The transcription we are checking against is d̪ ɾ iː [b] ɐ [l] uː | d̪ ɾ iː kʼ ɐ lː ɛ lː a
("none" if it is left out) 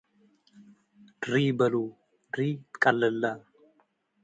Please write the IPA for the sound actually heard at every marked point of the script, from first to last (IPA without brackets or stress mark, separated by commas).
b, l